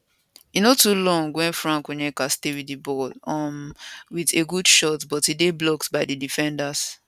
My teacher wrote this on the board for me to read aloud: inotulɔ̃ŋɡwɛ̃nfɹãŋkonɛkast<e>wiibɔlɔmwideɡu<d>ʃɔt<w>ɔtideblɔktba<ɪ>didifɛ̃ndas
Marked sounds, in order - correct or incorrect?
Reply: correct, correct, incorrect: b, correct

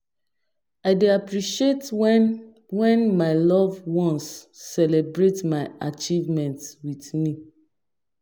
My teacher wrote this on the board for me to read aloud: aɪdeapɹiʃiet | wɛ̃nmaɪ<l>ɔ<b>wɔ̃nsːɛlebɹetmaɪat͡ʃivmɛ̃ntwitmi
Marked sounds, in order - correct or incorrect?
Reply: correct, incorrect: v

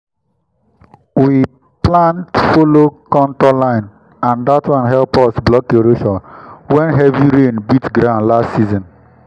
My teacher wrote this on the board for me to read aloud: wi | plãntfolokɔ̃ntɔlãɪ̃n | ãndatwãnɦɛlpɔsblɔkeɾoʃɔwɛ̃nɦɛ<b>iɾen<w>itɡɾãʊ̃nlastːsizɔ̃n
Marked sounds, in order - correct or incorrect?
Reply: incorrect: v, incorrect: b

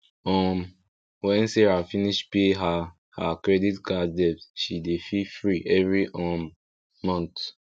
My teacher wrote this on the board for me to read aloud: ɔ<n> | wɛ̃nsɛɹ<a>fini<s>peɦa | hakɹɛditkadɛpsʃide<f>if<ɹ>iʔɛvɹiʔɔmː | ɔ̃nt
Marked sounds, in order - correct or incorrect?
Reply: incorrect: m, correct, incorrect: ʃ, correct, correct

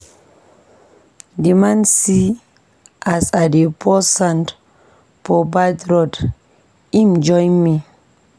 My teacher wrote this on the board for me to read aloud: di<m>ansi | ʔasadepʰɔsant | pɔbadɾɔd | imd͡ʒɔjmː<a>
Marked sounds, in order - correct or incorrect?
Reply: correct, incorrect: i

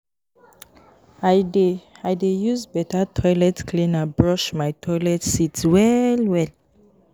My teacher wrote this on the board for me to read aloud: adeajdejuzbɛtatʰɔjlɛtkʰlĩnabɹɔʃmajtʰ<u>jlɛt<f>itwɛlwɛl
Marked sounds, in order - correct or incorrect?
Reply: incorrect: ɔ, incorrect: s

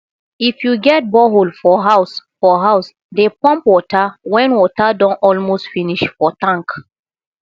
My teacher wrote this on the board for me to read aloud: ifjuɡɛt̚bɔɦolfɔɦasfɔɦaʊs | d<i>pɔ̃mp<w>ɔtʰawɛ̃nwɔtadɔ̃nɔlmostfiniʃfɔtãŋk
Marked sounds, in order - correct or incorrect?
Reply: incorrect: e, correct

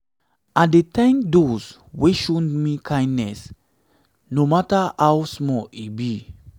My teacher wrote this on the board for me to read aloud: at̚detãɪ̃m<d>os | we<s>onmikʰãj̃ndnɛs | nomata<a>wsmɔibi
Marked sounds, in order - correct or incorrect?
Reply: correct, incorrect: ʃ, correct

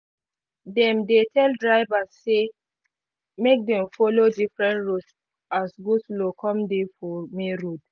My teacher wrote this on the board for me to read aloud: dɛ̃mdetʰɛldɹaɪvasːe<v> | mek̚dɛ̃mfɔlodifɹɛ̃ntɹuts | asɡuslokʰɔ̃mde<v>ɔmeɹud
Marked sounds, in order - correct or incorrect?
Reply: incorrect: none, incorrect: f

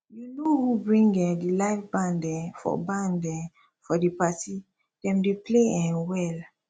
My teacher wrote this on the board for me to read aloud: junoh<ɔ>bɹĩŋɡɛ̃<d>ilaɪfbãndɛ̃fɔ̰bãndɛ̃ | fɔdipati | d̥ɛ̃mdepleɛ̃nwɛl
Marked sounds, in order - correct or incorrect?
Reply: incorrect: u, correct

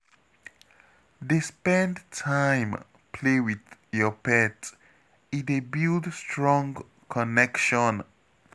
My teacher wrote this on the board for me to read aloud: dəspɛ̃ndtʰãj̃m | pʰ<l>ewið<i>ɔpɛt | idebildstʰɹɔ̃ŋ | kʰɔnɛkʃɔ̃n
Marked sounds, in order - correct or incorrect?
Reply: correct, incorrect: j

